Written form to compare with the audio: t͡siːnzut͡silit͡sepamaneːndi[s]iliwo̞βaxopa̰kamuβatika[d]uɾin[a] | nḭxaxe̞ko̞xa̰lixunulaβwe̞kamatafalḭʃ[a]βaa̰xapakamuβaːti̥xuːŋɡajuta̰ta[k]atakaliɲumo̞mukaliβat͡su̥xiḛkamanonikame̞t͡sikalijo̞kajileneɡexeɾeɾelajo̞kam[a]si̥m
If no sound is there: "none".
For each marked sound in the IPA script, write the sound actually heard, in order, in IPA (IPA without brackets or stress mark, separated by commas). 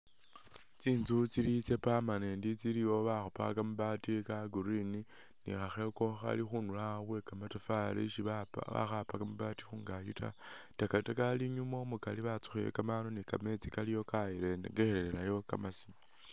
t͡s, ɡ, i, i, k, a